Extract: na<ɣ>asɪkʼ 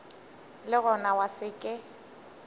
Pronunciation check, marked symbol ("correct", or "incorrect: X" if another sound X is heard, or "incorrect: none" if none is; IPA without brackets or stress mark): incorrect: w